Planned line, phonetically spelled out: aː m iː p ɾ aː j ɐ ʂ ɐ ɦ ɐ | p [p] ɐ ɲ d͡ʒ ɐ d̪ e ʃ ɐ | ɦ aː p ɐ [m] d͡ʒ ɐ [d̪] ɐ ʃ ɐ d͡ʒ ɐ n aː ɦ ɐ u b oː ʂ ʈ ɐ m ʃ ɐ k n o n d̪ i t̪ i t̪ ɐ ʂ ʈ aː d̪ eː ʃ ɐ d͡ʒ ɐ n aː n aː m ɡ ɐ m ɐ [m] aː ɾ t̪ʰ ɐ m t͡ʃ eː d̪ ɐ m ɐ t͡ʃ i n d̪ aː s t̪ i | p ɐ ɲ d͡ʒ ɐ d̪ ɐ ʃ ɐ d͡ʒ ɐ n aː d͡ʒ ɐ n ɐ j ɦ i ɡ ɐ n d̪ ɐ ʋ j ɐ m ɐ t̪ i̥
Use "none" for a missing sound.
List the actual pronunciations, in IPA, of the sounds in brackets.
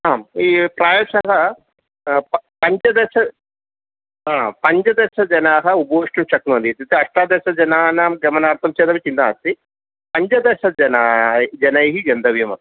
p, ɲ, d̪, n

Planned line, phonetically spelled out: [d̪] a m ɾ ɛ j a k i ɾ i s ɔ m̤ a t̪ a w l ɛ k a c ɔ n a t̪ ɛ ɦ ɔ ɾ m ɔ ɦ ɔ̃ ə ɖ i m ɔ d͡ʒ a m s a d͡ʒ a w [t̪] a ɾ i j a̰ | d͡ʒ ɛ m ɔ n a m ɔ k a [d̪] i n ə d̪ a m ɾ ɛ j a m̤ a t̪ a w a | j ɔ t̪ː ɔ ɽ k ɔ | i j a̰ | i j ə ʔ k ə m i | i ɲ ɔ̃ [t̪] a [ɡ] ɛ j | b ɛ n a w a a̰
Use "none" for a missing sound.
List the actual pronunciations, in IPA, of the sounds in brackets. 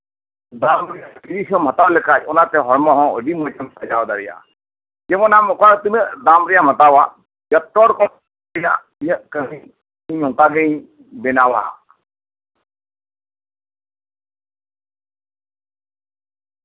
d̪, d̪, t̪, t̪, ɡ

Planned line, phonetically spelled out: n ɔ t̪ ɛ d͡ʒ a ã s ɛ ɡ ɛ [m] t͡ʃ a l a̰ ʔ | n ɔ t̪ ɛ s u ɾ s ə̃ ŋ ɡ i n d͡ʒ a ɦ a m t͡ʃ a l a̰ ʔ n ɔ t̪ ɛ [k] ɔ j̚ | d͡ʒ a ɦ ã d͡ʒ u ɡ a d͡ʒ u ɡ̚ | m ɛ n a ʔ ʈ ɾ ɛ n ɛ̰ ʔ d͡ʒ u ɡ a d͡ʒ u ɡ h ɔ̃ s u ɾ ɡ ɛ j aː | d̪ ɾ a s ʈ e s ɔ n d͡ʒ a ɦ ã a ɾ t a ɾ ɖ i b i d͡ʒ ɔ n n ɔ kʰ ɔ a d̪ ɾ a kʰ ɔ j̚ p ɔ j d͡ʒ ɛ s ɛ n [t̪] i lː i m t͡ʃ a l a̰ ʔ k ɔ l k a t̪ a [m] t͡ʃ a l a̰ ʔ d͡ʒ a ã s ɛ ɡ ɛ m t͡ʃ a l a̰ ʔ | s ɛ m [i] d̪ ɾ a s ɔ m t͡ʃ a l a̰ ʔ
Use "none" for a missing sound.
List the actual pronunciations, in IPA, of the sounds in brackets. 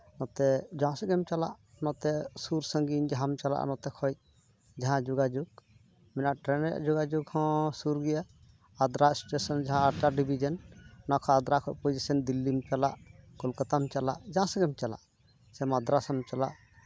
m, kʰ, d̪, m, a

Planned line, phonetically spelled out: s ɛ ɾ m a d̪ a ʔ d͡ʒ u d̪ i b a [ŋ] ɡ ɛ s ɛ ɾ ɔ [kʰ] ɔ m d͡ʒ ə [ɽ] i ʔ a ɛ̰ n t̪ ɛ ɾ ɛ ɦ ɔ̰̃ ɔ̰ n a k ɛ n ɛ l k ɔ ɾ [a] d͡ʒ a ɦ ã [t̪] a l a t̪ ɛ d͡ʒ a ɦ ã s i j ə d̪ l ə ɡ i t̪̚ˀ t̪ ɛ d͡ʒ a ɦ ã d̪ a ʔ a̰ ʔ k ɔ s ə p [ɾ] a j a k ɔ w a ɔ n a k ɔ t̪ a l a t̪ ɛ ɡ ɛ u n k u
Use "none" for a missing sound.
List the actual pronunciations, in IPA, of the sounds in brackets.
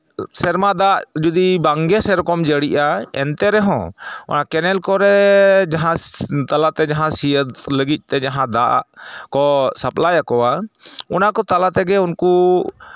ŋ, k, ɽ, ɛ, t̪, l

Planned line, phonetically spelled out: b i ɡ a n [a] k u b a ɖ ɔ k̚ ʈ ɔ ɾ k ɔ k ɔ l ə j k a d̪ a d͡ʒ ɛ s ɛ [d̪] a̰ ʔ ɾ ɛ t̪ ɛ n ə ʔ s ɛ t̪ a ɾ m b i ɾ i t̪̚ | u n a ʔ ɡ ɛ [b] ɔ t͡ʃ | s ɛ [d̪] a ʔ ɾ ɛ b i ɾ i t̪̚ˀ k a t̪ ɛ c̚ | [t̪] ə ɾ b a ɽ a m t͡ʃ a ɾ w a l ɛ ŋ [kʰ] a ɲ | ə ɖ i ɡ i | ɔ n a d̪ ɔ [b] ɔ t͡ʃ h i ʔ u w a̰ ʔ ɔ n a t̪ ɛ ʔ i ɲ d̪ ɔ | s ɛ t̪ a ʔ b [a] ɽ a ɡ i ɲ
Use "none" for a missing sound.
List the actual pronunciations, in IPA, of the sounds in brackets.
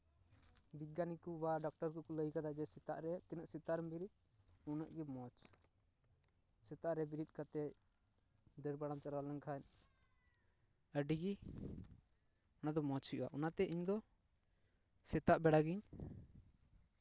i, t̪, m, t̪, d̪, kʰ, m, ɛ

